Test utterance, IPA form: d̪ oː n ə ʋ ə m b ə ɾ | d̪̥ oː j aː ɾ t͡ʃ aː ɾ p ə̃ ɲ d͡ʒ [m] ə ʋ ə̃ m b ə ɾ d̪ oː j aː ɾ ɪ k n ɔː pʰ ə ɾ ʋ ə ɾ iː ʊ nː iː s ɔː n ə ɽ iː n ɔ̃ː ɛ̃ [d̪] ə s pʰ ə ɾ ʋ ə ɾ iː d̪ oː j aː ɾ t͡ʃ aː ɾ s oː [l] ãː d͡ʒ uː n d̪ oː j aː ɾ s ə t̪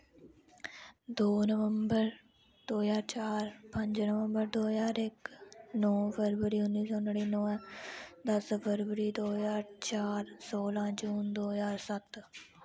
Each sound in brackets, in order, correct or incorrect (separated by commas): incorrect, correct, correct